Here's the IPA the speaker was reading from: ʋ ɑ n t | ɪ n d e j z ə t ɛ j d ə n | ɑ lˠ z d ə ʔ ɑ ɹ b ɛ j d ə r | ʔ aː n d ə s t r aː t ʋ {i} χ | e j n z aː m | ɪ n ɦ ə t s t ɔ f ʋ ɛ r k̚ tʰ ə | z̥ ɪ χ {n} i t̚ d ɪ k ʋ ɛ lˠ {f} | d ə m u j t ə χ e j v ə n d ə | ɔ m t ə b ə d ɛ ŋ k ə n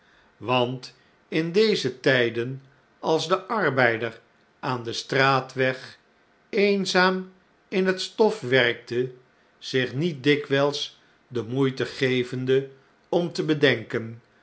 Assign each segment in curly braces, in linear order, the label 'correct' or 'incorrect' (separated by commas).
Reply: incorrect, correct, incorrect